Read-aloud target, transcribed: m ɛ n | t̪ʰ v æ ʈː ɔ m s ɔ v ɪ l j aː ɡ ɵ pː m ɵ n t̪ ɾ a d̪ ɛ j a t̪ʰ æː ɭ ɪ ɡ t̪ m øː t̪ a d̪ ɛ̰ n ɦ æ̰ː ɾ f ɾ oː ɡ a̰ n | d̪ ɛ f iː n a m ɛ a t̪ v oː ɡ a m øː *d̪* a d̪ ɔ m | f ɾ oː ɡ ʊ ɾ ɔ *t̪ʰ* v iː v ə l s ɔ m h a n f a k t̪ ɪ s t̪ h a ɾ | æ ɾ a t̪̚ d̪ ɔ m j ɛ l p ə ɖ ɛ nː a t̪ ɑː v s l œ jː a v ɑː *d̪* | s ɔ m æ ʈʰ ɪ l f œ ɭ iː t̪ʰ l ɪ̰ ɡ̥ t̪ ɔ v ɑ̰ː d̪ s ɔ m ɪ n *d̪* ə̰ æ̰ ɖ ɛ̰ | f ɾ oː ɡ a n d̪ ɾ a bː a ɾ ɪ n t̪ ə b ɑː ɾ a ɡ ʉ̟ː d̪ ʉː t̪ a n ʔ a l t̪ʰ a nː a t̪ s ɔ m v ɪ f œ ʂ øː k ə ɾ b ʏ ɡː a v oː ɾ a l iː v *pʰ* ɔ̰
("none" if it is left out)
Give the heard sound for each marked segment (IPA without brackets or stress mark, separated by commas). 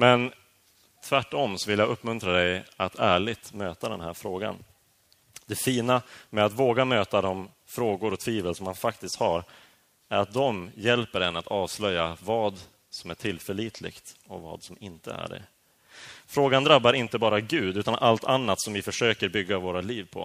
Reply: t̪, t̪ʰ, d̪, t̪, pʰ